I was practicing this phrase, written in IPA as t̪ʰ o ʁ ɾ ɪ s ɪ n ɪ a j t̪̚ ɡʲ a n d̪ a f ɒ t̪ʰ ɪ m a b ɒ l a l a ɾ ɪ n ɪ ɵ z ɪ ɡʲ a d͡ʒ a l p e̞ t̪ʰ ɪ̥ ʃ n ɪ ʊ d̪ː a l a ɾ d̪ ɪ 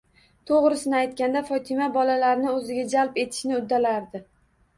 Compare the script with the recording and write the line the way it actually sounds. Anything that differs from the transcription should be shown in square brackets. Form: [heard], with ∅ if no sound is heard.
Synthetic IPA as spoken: t̪ʰ o ʁ ɾ ɪ s ɪ n ɪ a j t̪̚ [kʲ] a n d̪ a f ɒ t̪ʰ ɪ m a b ɒ l a l a ɾ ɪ n ɪ ɵ z ɪ ɡʲ a d͡ʒ a l p e̞ t̪ʰ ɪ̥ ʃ n ɪ ʊ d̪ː a l a ɾ d̪ ɪ